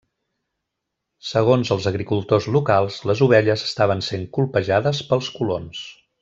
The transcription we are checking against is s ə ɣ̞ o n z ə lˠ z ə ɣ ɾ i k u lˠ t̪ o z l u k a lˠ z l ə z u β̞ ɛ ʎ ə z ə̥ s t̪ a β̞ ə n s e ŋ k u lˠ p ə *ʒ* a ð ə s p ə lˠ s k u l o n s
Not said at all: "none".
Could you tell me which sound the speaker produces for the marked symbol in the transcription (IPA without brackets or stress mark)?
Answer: ʒ